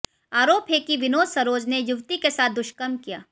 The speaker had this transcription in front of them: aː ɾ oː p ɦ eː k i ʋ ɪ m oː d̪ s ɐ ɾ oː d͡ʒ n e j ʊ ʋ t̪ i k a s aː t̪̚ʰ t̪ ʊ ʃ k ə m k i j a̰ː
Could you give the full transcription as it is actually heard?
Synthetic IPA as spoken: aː ɾ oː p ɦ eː k i ʋ ɪ n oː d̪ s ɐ ɾ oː d͡ʒ n e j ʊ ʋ t̪ i k e s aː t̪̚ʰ d̪ ʊ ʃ k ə m k i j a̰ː